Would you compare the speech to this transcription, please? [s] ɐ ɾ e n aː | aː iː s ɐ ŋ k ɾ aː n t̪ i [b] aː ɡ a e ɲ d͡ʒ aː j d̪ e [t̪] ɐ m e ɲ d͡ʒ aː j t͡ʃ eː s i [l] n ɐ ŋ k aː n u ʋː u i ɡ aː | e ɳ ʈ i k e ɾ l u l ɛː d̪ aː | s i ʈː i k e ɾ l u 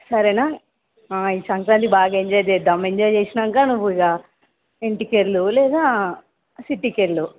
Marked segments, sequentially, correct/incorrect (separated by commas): correct, correct, incorrect, incorrect